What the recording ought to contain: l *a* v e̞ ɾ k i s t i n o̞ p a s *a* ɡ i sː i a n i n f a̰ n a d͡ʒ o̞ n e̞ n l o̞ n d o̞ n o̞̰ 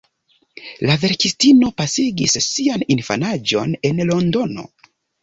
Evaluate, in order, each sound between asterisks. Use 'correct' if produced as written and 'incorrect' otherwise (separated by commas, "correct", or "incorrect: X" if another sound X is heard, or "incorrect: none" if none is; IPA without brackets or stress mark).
correct, incorrect: i